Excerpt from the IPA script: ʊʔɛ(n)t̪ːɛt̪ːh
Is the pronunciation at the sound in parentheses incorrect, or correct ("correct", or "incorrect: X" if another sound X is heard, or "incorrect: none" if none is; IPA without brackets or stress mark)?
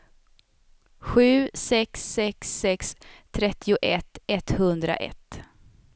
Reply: incorrect: none